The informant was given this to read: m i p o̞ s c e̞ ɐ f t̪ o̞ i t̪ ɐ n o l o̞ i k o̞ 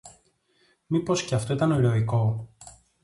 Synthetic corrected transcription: m i p o̞ s c e̞ ɐ f t̪ o̞ i t̪ ɐ n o ɾ o̞ i k o̞

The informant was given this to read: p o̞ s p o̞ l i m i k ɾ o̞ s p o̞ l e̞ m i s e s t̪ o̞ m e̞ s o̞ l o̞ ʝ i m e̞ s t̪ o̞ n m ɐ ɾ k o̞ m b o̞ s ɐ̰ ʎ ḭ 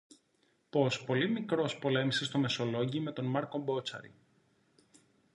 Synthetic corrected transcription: p o̞ s p o̞ l i m i k ɾ o̞ s p o̞ l e̞ m i s e s t̪ o̞ m e̞ s o̞ l o̞ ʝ i m e̞ t̪ o̞ n m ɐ ɾ k o̞ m b o̞ t͡s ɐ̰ ɾ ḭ

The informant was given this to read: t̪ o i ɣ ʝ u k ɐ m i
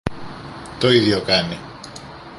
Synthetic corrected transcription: t̪ o i ð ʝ o k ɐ n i

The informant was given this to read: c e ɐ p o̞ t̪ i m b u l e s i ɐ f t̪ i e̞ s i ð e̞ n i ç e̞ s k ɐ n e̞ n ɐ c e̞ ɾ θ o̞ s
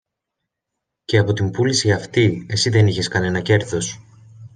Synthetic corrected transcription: c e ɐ p o̞ t̪ i m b u l i s i ɐ f t̪ i e̞ s i ð e̞ n i ç e̞ s k ɐ n e̞ n ɐ c e̞ ɾ θ o̞ s

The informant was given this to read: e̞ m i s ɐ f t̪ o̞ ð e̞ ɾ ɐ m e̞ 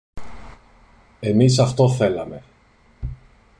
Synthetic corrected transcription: e̞ m i s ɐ f t̪ o̞ θ e̞ l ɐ m e̞

